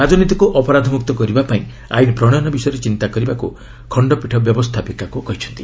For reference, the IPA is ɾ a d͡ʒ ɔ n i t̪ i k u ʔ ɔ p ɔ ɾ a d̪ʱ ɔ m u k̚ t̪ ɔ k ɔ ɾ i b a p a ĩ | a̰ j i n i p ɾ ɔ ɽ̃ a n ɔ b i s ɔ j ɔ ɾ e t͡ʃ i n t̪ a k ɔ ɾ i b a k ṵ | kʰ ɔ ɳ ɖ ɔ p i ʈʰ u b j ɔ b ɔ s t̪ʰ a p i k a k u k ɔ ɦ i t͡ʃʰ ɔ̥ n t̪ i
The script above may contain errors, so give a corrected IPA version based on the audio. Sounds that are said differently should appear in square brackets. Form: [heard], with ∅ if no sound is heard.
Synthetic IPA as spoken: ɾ a d͡ʒ ɔ n i t̪ i k u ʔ ɔ p ɔ ɾ a d̪ʱ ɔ m u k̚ t̪ ɔ k ɔ ɾ i b a p a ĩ | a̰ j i n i p ɾ ɔ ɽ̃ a n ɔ b i s ɔ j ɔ ɾ e t͡ʃ i n t̪ a k ɔ ɾ i b a k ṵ | kʰ ɔ ɳ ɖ ɔ p i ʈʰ [ɔ] b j ɔ b ɔ s t̪ʰ a p i k a k u k ɔ ɦ i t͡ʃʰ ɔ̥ n t̪ i